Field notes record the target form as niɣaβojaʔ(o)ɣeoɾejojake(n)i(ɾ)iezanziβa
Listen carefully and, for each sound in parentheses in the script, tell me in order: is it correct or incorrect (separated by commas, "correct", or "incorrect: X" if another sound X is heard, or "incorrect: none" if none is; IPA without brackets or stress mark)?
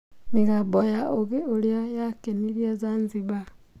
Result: correct, correct, correct